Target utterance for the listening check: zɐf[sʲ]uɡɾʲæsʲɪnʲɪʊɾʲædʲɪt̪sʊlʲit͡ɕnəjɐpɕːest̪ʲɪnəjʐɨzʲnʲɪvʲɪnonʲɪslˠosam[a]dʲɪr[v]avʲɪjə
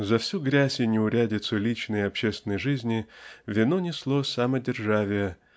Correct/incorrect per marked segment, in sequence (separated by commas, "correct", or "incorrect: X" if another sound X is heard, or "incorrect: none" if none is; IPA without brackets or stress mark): correct, incorrect: ə, incorrect: ʐ